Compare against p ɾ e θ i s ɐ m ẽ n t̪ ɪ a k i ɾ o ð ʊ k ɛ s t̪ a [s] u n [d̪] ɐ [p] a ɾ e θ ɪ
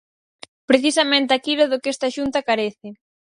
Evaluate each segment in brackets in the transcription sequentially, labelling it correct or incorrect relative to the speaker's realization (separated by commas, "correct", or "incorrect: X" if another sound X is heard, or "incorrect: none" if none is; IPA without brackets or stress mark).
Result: incorrect: ʃ, incorrect: t̪, incorrect: k